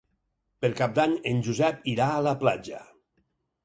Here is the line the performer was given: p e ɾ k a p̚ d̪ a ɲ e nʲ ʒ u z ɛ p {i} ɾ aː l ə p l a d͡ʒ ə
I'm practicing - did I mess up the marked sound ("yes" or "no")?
no